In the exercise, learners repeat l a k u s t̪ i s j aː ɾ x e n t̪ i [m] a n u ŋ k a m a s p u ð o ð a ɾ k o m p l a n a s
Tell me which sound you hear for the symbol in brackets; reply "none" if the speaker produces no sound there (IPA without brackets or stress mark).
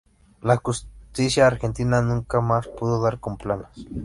n